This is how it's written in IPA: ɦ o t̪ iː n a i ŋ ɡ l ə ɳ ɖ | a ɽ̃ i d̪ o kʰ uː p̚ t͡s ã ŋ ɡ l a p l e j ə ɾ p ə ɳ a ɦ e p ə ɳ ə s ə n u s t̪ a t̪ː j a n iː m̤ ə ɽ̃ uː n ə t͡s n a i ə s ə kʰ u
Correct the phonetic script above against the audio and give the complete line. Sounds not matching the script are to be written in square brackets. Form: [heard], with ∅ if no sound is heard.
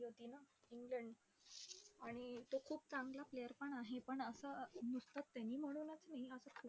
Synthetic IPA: ɦ o t̪ iː n a i ŋ ɡ l ə ɳ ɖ | a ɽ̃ i [t̪] o kʰ uː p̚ t͡s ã ŋ ɡ l a p l e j ə ɾ p ə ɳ a ɦ e p ə ɳ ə s ə n u s t̪ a t̪ː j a n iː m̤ ə ɽ̃ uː n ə t͡s n a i ə s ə kʰ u